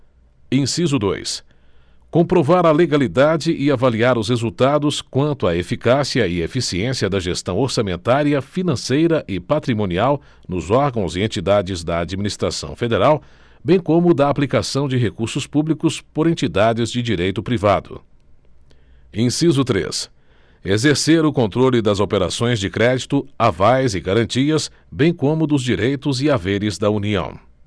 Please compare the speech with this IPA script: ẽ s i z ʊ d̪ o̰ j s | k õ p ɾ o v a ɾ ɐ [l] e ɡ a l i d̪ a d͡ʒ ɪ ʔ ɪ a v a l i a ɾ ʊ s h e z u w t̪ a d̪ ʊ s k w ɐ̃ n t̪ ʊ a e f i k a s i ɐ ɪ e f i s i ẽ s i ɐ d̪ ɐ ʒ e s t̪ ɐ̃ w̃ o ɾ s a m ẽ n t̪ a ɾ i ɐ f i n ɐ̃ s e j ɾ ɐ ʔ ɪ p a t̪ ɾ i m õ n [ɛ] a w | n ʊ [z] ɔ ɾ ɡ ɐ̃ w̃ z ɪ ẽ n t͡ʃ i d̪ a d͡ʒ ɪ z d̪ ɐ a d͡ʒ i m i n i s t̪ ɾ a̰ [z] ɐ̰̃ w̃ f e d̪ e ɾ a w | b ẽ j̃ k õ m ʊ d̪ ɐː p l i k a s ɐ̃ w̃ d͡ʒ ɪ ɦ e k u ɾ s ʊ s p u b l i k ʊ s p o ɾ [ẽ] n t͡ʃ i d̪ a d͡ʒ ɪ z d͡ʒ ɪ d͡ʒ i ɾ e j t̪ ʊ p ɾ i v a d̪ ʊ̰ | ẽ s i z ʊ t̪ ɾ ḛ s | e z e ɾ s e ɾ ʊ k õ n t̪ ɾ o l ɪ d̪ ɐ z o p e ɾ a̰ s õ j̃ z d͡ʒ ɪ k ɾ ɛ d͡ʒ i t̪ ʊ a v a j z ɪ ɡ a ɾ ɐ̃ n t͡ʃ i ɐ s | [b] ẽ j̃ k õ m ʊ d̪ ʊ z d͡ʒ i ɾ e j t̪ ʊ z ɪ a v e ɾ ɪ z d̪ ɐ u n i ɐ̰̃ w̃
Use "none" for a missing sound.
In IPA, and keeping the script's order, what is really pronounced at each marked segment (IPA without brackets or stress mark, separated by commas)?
l, i, z, s, ẽ, b